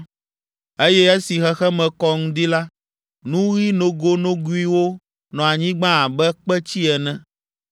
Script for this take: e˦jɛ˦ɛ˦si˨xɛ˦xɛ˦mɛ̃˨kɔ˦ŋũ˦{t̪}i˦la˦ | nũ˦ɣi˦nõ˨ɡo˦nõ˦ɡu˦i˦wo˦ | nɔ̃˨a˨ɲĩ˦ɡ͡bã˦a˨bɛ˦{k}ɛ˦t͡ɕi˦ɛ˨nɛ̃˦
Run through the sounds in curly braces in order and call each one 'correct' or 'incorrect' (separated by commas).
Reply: incorrect, incorrect